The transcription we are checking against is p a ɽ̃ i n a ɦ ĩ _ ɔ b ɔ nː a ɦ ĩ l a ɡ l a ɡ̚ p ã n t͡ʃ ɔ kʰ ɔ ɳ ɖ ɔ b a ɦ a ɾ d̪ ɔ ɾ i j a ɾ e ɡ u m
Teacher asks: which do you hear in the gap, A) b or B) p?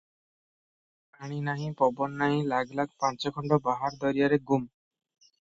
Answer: B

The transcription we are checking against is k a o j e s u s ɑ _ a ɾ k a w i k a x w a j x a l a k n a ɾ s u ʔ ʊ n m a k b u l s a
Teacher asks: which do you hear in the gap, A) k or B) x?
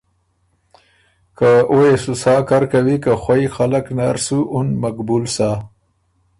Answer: A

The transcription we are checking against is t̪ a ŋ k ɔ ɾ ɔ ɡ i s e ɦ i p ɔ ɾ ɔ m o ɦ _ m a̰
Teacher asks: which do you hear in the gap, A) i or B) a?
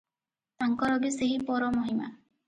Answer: A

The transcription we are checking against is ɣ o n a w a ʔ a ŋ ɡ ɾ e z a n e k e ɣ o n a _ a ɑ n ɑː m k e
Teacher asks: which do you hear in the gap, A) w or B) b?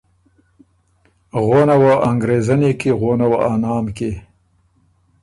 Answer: A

